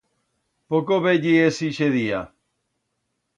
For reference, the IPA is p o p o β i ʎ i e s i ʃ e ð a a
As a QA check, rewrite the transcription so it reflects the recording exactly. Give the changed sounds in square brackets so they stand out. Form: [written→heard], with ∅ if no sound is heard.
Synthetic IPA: p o [p→k] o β [i→e] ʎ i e s i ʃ e ð [a→i] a